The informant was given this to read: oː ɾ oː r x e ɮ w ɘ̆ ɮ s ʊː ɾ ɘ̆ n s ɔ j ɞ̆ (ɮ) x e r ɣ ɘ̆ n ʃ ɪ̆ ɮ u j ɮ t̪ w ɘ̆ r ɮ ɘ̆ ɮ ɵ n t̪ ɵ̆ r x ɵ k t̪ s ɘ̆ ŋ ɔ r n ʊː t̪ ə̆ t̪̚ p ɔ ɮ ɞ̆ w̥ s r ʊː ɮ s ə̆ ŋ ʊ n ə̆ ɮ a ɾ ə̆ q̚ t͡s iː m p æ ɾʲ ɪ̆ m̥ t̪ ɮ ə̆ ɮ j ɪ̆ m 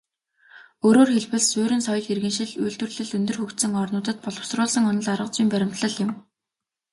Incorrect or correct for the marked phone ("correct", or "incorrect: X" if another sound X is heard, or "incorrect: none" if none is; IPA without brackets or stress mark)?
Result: correct